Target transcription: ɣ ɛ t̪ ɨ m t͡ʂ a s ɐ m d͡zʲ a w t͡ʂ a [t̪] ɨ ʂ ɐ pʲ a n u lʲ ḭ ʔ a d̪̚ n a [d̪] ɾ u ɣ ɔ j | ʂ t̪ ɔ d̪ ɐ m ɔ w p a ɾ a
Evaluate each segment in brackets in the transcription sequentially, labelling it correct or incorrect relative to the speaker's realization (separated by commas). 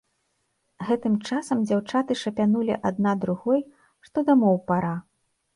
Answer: correct, correct